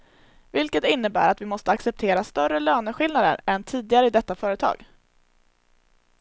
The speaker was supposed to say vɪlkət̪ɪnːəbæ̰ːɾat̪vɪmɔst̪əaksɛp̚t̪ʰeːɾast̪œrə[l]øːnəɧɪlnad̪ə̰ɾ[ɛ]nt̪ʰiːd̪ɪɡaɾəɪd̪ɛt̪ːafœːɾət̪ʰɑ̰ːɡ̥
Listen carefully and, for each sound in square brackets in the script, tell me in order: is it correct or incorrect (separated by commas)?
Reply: correct, correct